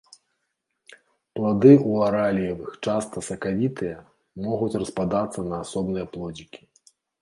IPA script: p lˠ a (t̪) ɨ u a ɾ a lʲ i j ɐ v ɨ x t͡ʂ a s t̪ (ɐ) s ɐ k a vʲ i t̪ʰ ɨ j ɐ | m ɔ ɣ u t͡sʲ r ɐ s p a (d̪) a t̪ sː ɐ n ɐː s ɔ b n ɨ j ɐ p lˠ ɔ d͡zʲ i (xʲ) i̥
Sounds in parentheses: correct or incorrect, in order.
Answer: incorrect: d̪, correct, correct, incorrect: kʲ

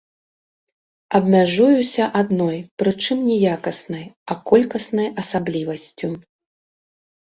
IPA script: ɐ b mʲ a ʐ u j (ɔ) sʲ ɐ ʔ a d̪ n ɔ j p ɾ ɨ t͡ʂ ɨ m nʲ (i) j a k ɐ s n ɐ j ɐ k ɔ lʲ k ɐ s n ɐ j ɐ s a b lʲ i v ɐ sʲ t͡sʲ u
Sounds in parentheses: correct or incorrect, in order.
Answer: incorrect: u, incorrect: ɛ

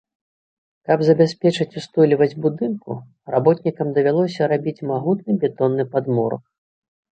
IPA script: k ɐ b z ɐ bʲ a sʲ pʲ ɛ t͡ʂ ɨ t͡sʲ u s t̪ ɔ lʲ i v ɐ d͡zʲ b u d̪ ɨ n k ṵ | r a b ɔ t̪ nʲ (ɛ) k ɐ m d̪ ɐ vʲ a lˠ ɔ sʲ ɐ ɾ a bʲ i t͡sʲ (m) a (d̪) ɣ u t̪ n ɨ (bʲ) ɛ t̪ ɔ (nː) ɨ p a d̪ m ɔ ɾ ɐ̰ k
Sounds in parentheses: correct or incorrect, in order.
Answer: incorrect: i, correct, incorrect: none, correct, correct

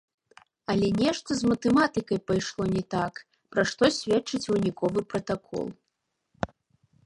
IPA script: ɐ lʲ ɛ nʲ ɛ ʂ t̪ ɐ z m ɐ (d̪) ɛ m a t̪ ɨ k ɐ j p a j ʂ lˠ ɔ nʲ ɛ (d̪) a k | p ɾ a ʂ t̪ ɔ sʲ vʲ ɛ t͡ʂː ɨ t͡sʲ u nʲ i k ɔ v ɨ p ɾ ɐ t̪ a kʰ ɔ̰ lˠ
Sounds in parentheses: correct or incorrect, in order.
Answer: incorrect: t̪, incorrect: t̪

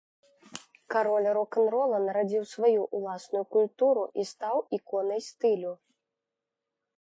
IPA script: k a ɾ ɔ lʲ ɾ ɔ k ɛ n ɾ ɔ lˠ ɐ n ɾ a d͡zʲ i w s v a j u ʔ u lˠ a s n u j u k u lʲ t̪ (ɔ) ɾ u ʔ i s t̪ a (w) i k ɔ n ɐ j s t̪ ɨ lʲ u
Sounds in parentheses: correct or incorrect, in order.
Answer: incorrect: u, correct

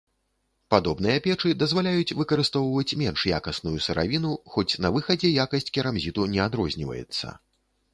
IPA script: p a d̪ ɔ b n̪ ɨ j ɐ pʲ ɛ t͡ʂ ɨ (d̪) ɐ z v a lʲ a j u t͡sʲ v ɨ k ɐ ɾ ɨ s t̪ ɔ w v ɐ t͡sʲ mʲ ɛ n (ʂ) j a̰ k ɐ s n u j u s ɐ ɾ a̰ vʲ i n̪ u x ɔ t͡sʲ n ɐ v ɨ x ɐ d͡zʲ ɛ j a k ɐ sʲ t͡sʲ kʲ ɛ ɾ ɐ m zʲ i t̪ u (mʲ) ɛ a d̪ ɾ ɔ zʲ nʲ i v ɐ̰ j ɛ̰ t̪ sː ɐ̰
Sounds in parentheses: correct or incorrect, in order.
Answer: correct, correct, incorrect: nʲ

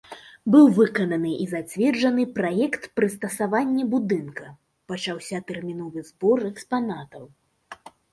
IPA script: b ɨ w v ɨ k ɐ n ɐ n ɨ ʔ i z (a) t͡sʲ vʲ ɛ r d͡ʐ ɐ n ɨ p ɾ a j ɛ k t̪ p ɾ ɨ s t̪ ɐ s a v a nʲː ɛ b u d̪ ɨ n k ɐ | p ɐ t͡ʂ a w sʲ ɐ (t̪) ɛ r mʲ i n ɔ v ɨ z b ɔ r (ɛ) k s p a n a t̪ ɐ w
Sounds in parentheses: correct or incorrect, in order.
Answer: correct, correct, correct

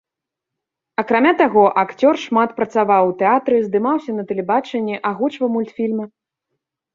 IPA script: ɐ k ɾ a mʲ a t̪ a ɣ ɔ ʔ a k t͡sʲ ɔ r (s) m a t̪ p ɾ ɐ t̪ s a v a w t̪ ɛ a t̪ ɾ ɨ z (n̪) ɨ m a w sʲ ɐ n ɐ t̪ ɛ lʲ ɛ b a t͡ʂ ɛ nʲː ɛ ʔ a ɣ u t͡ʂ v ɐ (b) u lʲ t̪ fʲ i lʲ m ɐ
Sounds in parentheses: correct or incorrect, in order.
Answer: incorrect: ʂ, incorrect: d̪, incorrect: m

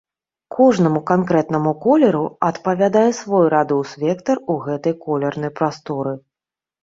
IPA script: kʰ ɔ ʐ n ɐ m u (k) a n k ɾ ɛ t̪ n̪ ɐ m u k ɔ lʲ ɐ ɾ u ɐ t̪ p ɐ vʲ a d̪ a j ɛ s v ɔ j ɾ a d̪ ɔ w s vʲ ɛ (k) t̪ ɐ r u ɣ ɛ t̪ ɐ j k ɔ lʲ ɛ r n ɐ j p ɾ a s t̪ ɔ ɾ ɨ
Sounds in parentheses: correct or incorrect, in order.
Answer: correct, correct

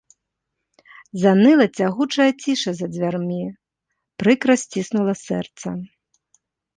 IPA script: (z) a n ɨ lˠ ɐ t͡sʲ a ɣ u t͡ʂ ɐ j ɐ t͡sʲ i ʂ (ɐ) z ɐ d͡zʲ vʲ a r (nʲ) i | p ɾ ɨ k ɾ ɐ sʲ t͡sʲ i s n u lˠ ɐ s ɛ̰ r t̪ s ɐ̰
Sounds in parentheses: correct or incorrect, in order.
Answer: correct, correct, incorrect: mʲ

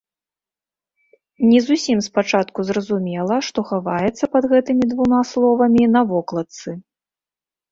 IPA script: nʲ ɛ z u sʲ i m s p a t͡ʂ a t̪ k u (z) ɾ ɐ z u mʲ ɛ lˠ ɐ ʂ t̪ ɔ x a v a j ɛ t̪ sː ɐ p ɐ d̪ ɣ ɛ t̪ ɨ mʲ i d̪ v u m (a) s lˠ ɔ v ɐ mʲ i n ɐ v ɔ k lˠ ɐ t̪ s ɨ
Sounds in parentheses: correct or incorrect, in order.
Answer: correct, correct

